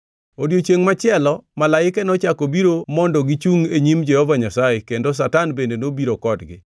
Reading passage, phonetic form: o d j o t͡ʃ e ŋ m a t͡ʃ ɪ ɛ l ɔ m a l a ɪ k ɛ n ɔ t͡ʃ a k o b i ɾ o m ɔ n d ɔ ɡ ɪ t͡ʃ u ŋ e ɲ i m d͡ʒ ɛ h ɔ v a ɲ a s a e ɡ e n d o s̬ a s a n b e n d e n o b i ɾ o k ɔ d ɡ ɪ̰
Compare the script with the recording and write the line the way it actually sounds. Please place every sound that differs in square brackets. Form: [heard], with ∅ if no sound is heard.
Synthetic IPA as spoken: o d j o t͡ʃ e ŋ m a t͡ʃ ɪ ɛ l ɔ m a l a ɪ k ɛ n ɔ t͡ʃ a k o b i ɾ o m ɔ n d ɔ ɡ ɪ t͡ʃ u ŋ e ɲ i m d͡ʒ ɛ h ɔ v a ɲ a s a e [k] e n d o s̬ a [t] a n b e n d e n o b i ɾ o k ɔ d ɡ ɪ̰